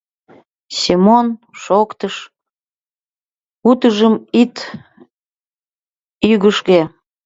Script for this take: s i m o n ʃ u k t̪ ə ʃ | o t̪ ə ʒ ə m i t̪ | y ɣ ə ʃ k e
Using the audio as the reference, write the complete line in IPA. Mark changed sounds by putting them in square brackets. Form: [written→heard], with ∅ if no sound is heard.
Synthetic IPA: s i m o n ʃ [u→o] k t̪ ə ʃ | [o→u] t̪ ə ʒ ə m i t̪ | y ɣ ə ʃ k e